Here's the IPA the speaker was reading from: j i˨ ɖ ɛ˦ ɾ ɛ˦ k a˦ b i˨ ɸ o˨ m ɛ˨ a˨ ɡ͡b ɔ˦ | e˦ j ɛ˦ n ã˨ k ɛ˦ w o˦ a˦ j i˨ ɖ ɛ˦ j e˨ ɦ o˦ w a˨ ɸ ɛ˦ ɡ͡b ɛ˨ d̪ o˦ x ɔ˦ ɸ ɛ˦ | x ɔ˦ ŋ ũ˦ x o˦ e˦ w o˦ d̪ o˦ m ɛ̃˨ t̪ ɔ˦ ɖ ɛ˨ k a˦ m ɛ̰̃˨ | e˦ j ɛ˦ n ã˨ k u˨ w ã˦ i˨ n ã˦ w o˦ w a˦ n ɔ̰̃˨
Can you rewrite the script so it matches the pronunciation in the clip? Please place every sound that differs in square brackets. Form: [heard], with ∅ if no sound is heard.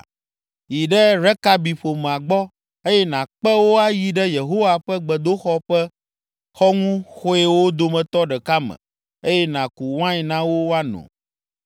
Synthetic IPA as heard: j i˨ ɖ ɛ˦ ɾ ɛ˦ k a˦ b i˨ ɸ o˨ m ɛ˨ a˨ ɡ͡b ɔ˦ | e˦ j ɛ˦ n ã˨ [k͡p] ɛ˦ w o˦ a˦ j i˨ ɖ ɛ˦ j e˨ ɦ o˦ w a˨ ɸ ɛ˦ ɡ͡b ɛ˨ d̪ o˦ x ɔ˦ ɸ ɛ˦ | x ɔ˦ ŋ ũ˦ x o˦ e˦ w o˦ d̪ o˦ m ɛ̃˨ t̪ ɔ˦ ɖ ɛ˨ k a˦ m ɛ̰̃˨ | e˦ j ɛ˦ n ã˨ k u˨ w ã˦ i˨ n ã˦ w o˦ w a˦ n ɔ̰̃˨

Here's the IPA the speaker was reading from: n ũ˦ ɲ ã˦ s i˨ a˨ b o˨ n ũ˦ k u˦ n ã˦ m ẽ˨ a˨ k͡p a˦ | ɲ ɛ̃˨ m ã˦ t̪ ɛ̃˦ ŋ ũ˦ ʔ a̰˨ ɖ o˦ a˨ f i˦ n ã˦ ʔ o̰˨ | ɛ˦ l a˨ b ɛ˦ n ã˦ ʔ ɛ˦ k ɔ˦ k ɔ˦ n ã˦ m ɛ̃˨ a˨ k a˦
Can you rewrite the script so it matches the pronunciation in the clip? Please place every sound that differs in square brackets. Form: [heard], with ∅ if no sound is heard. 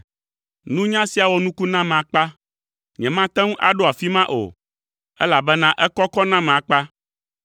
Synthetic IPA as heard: n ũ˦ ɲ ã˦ s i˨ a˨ [w] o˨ n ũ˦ k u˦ n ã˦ m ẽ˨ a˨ k͡p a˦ | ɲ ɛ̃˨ m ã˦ t̪ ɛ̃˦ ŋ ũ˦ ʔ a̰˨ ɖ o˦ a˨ f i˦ [m] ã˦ ʔ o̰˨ | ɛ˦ l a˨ b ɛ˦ n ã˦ ʔ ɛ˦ k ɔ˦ k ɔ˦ n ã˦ m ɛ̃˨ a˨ [k͡p] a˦

